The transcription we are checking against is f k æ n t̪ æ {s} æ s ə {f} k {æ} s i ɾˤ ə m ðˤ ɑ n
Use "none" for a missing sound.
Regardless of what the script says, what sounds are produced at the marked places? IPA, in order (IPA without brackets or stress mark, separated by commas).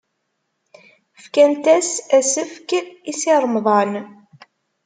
s, f, i